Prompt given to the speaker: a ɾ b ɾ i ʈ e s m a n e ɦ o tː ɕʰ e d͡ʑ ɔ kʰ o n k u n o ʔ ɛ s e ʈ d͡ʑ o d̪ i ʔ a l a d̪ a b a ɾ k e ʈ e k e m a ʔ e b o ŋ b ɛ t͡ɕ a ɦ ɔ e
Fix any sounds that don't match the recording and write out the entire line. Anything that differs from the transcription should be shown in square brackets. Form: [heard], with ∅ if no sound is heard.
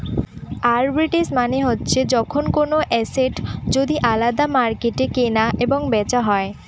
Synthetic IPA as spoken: a ɾ b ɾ i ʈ e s m a n e ɦ o tː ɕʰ e d͡ʑ ɔ kʰ o n k [o] n o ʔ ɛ s e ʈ d͡ʑ o d̪ i ʔ a l a d̪ a [m] a ɾ k e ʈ e k e [n] a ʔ e b o ŋ b ɛ t͡ɕ a ɦ ɔ e